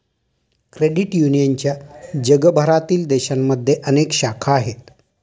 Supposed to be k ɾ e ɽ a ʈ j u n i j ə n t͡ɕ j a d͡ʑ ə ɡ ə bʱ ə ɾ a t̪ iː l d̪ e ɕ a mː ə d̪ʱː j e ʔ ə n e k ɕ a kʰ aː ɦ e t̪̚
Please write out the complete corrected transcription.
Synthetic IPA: k ɾ e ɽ i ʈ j u n i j ə n t͡ɕ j a d͡ʑ ə ɡ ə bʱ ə ɾ a t̪ iː l d̪ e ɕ a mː ə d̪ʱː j e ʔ ə n e k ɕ a kʰ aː ɦ e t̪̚

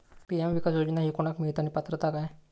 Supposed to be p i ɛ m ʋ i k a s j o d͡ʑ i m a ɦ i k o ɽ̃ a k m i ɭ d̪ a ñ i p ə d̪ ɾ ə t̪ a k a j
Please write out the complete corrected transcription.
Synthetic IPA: p i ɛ m ʋ i k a s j o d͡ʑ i n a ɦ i k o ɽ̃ a k m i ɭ t̪ a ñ i p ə t̪ ɾ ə t̪ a k a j

